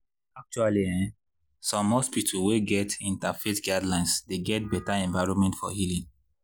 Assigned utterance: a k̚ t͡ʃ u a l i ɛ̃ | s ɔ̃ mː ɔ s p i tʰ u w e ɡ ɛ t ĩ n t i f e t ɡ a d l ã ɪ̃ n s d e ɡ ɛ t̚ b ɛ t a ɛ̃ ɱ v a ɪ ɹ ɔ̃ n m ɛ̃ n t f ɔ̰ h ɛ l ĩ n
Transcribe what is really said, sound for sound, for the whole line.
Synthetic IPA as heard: a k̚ t͡ʃ u a l i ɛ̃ | s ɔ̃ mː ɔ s p i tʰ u w e ɡ ɛ t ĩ n t a f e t ɡ a d l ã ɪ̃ n s d e ɡ ɛ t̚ b ɛ t a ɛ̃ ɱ v a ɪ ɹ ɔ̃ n m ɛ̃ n t f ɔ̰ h i l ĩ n